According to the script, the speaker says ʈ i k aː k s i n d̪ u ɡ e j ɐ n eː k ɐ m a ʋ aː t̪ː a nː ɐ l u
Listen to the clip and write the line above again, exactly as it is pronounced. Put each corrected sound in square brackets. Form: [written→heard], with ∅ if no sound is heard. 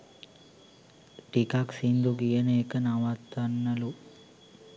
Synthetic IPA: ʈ i k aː k s i n d̪ u ɡ [e→i] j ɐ n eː k ɐ [m→n] a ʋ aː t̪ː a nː ɐ l u